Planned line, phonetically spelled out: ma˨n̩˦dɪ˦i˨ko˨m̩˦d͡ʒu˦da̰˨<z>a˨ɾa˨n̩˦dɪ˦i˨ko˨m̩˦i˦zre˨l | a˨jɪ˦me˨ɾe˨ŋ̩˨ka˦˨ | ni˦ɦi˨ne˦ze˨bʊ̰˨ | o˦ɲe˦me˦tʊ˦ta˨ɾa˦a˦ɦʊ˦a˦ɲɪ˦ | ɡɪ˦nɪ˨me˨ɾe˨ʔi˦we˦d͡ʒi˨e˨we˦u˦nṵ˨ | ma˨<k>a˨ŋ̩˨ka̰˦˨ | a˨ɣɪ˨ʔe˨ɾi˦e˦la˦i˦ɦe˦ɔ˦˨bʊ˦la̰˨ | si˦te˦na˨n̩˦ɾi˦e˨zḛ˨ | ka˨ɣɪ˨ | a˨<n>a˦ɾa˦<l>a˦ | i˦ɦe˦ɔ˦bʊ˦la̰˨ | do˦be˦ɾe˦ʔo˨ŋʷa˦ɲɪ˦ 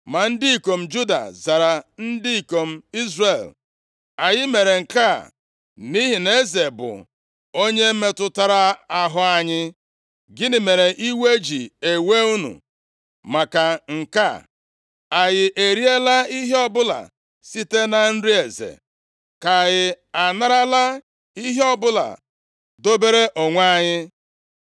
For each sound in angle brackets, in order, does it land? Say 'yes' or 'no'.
yes, yes, yes, yes

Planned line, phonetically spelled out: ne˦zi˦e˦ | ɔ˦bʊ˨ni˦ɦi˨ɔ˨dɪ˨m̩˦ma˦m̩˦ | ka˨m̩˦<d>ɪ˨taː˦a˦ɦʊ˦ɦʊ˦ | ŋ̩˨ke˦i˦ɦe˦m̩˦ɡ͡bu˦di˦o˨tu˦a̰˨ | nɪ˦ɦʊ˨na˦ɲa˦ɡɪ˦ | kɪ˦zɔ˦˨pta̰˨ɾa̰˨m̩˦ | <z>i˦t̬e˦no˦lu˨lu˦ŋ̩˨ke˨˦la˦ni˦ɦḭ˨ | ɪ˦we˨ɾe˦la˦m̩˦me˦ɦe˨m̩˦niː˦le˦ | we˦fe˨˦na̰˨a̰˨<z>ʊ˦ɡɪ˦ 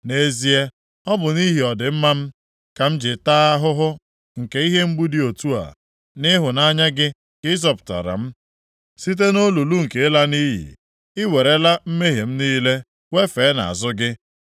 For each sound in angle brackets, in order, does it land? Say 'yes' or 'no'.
no, no, yes

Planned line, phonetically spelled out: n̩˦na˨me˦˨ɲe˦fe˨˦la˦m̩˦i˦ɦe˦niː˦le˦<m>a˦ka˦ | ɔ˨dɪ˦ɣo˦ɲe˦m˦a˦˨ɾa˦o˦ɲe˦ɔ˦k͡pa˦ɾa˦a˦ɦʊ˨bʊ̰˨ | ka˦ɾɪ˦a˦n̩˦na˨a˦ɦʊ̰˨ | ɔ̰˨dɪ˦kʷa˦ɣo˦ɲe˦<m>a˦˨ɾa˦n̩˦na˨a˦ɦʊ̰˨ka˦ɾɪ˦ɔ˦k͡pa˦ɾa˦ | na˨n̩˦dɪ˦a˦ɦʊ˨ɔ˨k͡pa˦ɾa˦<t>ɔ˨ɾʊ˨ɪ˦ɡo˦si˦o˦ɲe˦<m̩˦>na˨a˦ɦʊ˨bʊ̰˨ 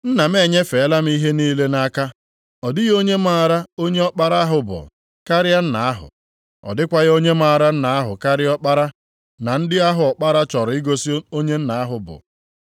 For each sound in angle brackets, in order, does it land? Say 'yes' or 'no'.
no, yes, no, no

